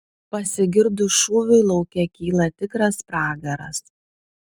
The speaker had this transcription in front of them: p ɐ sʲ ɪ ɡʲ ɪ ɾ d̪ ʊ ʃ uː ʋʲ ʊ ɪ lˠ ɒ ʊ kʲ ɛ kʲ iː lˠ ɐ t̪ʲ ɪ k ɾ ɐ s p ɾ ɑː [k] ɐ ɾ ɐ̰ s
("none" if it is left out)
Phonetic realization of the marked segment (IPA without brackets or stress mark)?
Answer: ɡ